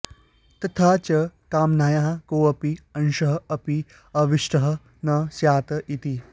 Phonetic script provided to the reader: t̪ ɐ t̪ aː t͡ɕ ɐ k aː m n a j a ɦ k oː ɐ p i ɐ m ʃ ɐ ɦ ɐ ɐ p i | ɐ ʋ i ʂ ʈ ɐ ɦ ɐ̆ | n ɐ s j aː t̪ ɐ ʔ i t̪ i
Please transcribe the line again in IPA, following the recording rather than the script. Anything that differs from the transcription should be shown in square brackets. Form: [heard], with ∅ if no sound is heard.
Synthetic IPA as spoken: t̪ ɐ [t̪ʰ] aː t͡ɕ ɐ k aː m n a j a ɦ k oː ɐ p i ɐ [n] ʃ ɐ ɦ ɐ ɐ p i | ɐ ʋ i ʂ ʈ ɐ ɦ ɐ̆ | n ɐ s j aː t̪ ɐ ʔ i t̪ i